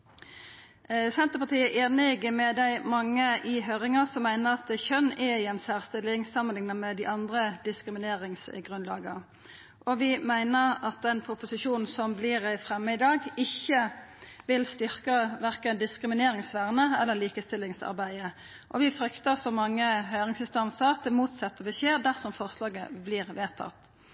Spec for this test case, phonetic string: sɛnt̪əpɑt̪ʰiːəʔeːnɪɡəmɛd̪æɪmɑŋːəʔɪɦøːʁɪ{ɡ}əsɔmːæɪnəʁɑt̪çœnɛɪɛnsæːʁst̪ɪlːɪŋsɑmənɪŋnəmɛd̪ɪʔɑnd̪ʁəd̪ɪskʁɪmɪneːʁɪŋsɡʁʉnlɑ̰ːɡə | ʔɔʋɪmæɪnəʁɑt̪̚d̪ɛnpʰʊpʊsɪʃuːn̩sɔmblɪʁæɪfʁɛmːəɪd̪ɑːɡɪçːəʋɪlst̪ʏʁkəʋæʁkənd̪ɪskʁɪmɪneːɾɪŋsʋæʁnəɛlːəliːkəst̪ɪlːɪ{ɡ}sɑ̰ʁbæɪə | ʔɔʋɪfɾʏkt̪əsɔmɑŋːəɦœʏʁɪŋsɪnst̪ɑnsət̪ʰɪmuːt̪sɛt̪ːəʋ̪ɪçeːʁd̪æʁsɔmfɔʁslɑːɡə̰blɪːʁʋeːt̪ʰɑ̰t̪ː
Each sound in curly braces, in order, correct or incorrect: incorrect, incorrect

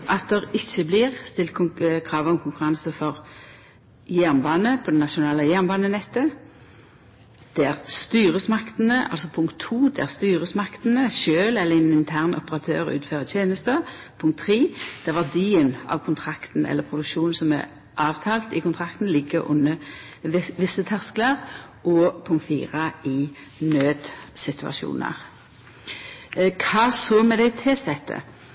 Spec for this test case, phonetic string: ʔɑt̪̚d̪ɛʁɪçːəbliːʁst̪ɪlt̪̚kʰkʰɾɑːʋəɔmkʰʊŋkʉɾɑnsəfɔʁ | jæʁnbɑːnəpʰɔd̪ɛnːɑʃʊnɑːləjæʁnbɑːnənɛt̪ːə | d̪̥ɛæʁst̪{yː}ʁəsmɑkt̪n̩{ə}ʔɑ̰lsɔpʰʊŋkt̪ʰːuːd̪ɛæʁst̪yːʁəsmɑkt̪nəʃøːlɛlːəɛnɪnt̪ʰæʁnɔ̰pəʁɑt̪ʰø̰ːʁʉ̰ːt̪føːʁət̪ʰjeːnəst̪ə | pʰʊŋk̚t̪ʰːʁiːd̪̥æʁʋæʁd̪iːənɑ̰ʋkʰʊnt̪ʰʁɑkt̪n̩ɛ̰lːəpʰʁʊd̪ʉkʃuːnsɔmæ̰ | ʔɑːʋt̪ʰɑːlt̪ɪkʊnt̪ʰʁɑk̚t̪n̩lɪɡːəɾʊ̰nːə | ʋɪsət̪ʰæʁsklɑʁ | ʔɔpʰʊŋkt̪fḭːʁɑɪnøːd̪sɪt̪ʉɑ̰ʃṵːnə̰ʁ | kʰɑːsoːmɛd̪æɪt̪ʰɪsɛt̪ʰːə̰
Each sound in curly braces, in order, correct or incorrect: correct, correct

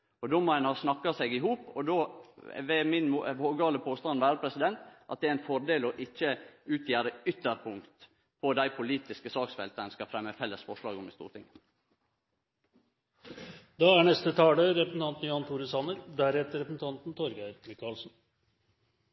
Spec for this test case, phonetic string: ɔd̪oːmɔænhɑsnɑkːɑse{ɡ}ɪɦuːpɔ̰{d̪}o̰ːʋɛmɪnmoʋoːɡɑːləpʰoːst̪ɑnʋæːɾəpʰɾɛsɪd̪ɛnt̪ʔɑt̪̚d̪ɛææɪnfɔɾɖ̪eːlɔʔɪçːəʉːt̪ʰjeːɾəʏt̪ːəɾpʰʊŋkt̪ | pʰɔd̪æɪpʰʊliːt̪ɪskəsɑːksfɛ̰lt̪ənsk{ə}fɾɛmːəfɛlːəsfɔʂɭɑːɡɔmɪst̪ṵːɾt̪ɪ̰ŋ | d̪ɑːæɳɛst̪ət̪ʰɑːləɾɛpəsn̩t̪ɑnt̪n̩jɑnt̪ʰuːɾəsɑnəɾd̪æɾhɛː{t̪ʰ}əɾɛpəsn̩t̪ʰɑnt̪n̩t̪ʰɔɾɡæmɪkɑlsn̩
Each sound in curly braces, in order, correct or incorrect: correct, correct, incorrect, incorrect

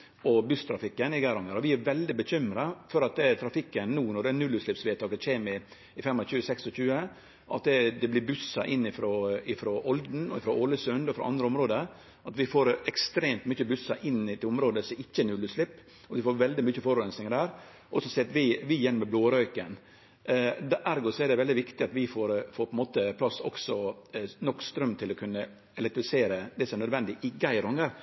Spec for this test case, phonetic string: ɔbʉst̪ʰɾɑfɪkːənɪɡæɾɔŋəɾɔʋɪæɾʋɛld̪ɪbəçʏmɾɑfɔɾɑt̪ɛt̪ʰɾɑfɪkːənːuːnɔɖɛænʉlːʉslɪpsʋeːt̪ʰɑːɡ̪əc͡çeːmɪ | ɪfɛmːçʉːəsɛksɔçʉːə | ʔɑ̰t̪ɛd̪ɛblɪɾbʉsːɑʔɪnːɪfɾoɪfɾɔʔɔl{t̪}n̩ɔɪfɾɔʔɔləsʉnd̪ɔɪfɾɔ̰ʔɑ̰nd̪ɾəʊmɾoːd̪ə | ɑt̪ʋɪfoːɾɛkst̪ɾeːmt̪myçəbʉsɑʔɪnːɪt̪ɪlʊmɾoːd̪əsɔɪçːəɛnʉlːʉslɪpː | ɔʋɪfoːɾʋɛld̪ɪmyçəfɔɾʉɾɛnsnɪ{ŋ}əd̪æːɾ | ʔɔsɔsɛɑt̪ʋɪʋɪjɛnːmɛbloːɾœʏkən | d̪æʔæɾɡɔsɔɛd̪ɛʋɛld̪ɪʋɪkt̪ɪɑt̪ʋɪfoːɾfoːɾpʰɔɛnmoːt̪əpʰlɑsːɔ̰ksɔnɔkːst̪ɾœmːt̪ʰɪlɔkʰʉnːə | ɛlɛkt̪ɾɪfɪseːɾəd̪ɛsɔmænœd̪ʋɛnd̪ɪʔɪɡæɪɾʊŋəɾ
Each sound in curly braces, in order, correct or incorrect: incorrect, correct

